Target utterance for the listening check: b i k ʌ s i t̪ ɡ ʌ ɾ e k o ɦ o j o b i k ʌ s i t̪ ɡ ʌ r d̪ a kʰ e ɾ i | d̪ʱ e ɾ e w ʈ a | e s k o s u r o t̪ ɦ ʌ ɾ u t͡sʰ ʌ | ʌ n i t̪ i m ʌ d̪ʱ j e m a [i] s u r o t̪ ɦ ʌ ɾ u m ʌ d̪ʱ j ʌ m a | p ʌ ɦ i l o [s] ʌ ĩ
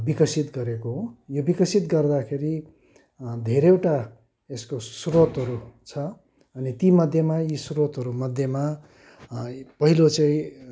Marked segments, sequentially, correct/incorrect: correct, incorrect: t͡s

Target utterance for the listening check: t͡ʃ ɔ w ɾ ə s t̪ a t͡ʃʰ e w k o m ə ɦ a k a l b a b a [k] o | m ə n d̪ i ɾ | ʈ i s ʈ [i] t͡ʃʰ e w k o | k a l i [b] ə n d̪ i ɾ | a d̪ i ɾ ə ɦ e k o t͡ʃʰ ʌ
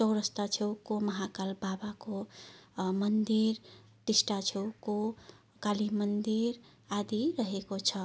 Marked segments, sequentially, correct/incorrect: correct, incorrect: a, incorrect: m

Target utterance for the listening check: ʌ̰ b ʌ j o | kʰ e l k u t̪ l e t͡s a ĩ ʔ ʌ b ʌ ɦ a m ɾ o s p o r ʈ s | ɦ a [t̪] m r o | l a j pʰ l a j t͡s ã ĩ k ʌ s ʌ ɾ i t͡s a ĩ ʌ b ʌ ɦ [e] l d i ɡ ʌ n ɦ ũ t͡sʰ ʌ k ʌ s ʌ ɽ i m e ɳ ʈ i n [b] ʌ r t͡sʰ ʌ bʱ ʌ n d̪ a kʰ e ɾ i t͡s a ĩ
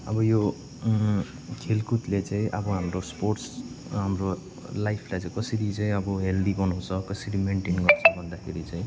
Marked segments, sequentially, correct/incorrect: incorrect: none, correct, incorrect: ɡ

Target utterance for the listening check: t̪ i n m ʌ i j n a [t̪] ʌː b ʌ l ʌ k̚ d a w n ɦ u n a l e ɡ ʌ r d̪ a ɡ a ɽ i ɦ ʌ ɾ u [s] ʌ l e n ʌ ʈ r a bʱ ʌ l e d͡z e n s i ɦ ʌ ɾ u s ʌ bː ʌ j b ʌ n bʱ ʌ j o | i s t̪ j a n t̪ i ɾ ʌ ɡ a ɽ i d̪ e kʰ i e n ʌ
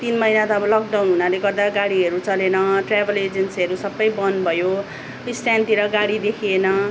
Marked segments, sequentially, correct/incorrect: correct, incorrect: t͡s

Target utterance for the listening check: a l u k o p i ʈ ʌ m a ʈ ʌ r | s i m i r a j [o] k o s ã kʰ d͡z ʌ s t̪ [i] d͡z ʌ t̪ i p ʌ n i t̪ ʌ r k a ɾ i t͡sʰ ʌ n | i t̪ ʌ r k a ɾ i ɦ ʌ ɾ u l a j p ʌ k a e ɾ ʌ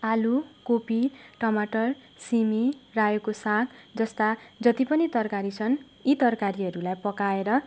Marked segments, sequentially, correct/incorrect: correct, incorrect: a

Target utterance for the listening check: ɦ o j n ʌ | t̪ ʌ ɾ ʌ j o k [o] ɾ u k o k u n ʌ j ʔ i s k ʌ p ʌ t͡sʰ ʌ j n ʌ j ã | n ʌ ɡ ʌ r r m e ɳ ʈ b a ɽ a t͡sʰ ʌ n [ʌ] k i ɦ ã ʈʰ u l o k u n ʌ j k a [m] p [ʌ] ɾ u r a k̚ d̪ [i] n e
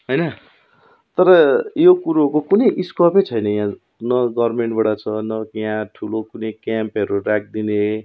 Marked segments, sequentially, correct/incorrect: incorrect: u, correct, correct, correct, correct

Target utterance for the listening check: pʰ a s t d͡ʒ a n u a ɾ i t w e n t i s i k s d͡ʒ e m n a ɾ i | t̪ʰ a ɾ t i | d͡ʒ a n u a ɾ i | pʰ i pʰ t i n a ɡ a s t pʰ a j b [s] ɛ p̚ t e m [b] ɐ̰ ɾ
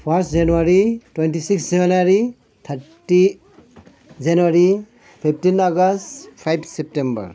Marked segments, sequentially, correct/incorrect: correct, correct

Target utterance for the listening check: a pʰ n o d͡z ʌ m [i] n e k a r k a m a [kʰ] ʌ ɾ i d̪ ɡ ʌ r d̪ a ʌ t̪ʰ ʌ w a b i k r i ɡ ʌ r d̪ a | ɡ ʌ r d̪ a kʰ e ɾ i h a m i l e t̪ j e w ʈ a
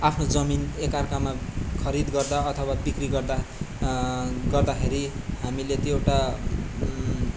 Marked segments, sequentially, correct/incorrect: correct, correct

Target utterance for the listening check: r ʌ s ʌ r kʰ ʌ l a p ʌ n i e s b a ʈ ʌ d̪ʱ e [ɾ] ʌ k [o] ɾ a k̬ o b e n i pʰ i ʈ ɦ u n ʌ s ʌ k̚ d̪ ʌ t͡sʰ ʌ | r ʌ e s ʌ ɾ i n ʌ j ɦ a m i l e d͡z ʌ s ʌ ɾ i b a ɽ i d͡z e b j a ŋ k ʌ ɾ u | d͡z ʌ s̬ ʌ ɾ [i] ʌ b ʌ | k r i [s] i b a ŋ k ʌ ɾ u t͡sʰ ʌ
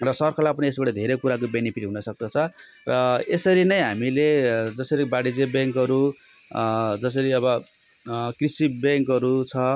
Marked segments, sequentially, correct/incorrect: correct, incorrect: u, correct, correct

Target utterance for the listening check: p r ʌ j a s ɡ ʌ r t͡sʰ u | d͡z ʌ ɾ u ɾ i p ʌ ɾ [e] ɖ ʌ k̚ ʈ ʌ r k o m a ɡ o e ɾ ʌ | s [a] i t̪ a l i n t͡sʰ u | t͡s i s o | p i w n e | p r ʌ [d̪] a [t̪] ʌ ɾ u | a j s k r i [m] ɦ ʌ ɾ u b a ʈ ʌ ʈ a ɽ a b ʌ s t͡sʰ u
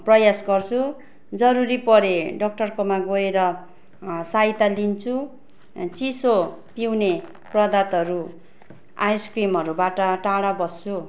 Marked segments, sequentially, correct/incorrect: correct, correct, correct, correct, correct

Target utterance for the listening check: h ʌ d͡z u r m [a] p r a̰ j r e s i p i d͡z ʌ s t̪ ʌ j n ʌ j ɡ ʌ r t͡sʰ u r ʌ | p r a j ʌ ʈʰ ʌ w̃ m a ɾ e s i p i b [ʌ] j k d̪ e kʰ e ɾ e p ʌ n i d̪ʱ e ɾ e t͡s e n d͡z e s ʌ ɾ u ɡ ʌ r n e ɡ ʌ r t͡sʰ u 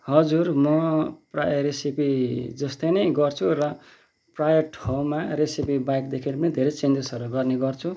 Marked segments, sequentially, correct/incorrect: incorrect: ʌ, incorrect: a

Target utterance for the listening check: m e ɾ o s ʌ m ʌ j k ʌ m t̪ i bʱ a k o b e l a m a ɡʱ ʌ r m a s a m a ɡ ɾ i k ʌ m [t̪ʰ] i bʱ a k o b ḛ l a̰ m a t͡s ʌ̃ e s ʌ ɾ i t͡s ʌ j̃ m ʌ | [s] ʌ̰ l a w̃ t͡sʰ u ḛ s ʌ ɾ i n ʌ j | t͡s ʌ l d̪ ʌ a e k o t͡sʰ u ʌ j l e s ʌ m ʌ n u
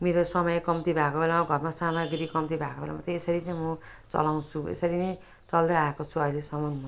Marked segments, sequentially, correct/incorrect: incorrect: t̪, incorrect: t͡s

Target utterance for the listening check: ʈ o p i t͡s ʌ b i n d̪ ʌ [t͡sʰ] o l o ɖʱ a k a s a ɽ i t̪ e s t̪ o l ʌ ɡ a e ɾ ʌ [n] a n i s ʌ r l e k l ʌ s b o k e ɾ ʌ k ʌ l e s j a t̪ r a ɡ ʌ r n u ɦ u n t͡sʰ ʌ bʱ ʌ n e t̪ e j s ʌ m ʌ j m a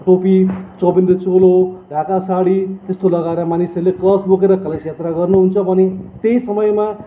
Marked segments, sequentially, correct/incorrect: incorrect: t͡s, incorrect: m

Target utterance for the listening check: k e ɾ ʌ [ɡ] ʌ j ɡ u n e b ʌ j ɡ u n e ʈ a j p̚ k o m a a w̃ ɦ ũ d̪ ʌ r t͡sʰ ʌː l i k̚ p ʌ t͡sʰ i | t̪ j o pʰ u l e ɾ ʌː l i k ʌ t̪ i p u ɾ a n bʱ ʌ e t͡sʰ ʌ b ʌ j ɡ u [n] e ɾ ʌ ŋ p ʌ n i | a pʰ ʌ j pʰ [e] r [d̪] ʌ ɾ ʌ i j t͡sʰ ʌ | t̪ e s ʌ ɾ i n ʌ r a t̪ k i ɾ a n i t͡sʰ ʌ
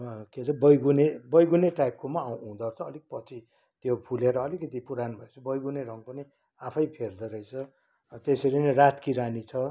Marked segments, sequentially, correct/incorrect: incorrect: b, correct, correct, correct

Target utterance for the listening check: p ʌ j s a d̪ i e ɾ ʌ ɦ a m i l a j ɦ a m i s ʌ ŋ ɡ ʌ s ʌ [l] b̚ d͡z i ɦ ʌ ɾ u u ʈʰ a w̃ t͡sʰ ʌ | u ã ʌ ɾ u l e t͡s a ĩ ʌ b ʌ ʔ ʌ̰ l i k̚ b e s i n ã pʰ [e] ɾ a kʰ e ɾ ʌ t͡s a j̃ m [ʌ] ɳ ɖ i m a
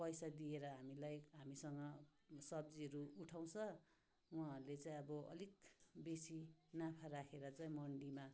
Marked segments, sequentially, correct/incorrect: incorrect: none, incorrect: a, correct

